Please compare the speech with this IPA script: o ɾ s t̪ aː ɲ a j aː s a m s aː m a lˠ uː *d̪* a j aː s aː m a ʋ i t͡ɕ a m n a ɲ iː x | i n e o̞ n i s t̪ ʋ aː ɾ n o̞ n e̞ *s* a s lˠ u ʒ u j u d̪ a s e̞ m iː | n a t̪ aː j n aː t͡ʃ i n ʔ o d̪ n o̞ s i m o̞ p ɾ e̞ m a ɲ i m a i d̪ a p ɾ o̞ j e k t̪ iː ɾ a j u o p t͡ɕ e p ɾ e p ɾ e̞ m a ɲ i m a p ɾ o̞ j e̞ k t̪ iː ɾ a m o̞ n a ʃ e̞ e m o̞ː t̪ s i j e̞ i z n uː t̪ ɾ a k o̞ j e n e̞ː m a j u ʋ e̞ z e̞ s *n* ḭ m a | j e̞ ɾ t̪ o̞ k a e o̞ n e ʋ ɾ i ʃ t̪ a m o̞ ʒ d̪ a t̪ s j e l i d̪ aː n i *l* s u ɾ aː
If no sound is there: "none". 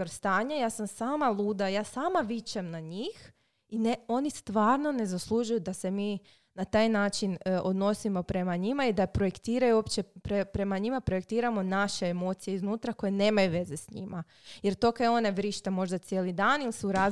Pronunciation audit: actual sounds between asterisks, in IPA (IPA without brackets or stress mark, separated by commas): d̪, z, ɲ, l